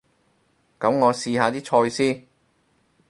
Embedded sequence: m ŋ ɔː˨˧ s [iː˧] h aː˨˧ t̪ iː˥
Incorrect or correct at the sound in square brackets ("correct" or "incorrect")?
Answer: correct